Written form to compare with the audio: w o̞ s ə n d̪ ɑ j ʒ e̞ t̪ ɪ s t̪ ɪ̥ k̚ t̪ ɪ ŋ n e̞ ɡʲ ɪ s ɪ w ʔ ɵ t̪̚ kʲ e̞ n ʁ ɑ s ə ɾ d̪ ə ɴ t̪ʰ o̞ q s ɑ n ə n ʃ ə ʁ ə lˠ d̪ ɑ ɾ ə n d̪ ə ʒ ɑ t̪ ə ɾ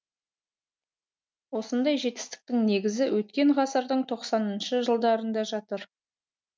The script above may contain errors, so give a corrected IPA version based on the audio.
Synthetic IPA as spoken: w o̞ s ə n d̪ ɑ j ʒ e̞ t̪ ɪ s t̪ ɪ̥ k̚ t̪ ɪ ŋ n e̞ ɡʲ ɪ z ɪ w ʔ ɵ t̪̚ kʲ e̞ ɴ ʁ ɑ s ə ɾ d̪ ə ɴ t̪ʰ o̞ q s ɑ n ə n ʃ ə ʒ ə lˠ d̪ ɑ ɾ ə n d̪ ɑ ʒ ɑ t̪ ə ɾ